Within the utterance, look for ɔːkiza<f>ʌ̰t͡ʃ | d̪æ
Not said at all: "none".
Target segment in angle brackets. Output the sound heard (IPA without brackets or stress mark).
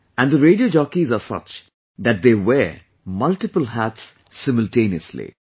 s